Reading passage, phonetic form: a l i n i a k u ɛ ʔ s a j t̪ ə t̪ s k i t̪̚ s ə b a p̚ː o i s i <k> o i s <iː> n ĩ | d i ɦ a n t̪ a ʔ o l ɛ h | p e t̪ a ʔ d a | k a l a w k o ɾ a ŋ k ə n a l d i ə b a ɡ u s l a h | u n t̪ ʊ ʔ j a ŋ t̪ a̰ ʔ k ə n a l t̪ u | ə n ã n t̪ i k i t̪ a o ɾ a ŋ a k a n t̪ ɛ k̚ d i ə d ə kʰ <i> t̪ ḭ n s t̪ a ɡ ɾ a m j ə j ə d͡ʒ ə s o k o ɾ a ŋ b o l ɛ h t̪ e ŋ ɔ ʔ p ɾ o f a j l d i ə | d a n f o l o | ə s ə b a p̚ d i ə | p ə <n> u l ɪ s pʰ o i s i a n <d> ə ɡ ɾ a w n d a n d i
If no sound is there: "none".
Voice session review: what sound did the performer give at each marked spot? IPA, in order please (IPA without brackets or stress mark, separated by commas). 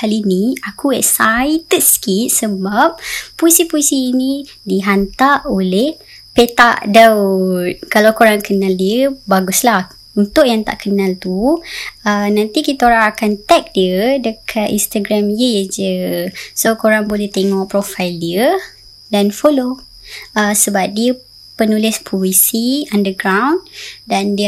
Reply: p, iː, a, n, d